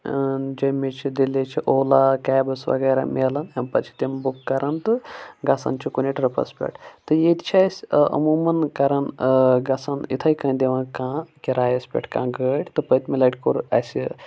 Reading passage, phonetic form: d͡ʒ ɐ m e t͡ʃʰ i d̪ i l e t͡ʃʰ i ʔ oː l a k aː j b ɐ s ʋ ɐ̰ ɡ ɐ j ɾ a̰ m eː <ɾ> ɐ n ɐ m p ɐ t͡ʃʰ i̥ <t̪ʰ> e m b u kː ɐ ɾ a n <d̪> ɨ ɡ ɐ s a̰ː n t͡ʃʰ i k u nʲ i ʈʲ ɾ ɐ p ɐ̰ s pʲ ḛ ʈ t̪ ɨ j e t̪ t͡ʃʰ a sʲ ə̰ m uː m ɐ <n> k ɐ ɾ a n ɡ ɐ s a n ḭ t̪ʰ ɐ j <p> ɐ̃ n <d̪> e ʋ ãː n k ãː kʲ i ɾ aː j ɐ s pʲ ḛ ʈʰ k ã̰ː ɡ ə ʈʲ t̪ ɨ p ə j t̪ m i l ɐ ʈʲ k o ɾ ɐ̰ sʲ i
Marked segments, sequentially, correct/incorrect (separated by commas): incorrect, incorrect, incorrect, correct, incorrect, correct